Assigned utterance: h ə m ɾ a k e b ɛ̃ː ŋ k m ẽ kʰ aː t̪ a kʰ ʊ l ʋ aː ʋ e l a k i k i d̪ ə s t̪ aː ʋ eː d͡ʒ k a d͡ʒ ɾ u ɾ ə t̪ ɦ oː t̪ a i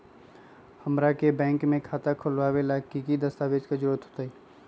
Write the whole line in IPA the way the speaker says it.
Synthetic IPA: h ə m ɾ a k e b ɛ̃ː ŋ k m ẽ kʰ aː t̪ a kʰ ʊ l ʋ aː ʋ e l a k i k i d̪ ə s t̪ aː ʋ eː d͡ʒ k a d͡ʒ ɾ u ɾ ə t̪ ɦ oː t̪ a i